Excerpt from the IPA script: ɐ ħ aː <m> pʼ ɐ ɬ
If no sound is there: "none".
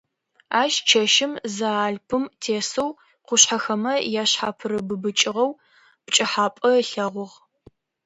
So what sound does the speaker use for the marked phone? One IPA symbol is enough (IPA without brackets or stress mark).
none